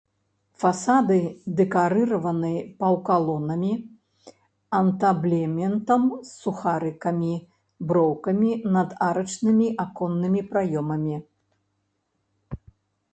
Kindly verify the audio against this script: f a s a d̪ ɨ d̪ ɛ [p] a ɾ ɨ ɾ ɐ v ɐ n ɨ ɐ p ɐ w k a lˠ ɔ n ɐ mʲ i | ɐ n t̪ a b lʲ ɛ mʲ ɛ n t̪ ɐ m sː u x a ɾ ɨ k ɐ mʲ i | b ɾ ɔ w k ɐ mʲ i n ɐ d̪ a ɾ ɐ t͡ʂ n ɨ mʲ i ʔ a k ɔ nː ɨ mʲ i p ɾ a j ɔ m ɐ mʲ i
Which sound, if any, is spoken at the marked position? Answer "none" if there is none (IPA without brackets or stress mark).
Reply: k